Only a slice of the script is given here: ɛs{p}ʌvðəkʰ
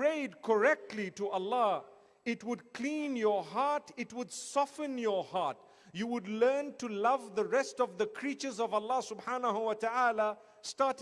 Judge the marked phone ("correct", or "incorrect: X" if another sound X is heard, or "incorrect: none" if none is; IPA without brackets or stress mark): incorrect: t